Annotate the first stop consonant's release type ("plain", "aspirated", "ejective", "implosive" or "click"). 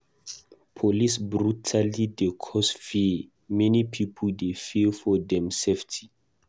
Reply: aspirated